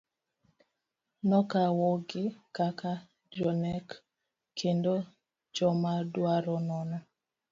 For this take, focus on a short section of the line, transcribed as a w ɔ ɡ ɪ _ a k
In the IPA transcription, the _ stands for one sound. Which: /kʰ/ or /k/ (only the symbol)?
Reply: k